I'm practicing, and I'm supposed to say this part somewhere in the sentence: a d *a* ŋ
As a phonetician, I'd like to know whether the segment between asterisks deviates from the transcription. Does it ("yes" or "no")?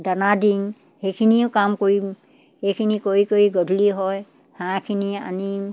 yes